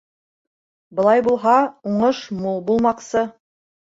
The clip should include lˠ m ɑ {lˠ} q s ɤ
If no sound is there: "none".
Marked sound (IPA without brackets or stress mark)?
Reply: none